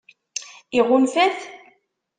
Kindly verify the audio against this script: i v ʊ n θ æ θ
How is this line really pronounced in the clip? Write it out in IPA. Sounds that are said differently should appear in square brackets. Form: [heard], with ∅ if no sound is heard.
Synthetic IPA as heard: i [ʁ] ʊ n [f] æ θ

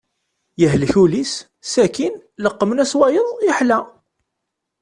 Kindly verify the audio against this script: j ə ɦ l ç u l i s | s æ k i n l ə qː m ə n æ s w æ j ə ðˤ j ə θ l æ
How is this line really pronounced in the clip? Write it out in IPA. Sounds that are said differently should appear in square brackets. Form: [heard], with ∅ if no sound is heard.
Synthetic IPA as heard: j ə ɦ l ç u l i s | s æ k i n l ə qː m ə n æ s w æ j ə ðˤ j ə [ħ] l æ

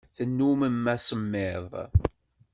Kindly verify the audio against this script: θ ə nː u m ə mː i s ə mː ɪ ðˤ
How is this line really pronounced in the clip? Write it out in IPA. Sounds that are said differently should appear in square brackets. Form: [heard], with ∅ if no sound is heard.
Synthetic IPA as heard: θ ə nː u m ə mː [æ] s ə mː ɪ ðˤ

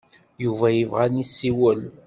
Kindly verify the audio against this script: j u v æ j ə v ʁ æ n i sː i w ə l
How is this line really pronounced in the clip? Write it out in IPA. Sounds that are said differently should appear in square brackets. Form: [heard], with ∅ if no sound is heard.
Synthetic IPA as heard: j u v æ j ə v ʁ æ n i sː i w ə l

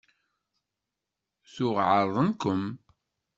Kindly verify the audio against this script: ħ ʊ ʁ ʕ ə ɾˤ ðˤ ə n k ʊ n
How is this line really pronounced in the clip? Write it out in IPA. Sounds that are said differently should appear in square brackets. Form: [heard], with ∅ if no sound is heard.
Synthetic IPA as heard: [θ] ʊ ʁ ʕ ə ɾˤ ðˤ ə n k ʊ [m]

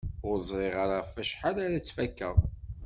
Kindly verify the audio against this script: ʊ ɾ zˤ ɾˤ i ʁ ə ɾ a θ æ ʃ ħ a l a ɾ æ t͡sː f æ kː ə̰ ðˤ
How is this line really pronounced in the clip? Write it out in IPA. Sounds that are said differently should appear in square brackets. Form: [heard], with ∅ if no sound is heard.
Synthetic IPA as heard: ʊ ɾ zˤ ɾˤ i ʁ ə ɾ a [f] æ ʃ ħ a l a ɾ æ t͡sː f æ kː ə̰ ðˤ

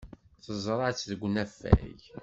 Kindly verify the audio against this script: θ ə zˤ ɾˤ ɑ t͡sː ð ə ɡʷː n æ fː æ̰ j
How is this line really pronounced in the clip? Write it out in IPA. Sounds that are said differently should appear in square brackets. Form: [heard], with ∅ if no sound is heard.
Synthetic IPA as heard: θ ə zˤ ɾˤ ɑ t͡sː ð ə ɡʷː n æ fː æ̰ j

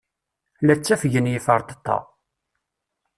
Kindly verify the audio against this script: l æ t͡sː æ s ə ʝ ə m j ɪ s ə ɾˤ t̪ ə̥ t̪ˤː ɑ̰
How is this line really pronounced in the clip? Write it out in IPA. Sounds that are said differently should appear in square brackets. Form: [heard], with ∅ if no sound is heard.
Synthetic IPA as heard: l æ t͡sː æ [f] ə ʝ ə [n] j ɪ [f] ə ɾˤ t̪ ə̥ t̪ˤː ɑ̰

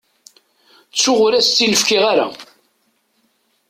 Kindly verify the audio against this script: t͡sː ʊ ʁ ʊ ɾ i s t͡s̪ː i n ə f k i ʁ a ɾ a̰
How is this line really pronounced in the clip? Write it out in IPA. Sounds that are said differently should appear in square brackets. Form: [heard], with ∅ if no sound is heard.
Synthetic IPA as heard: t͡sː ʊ ʁ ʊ ɾ [æ] s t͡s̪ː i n ə f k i ʁ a ɾ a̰

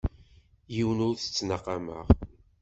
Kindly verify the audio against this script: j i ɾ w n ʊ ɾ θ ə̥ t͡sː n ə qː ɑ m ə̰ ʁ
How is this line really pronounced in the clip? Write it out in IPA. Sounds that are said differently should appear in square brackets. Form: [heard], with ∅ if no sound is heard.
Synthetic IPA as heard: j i [∅] w n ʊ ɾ θ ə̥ t͡sː n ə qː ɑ m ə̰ ʁ

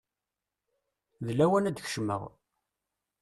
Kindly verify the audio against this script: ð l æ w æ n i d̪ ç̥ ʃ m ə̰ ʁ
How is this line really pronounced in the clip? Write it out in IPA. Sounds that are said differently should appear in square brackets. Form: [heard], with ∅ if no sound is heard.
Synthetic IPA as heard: ð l æ w æ n [æ] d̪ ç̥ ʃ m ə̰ ʁ

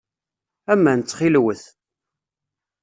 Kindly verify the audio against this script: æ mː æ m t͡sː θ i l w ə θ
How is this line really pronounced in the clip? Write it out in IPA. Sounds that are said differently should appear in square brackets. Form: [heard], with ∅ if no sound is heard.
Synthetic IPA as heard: æ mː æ [n] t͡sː [χ] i l w ə θ

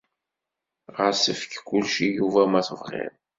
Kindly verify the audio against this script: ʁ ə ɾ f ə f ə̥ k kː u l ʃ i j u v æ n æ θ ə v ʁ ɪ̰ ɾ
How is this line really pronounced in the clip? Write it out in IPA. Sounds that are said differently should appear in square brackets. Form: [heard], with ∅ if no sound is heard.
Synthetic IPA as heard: ʁ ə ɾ [s] ə f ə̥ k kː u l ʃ i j u v æ [m] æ θ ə v ʁ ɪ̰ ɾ

